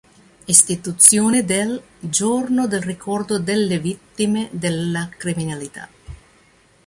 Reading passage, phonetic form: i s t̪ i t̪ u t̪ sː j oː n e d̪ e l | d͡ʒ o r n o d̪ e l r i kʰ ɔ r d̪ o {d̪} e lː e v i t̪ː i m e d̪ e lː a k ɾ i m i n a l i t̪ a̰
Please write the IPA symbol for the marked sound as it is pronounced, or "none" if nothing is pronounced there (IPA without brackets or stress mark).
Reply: d̪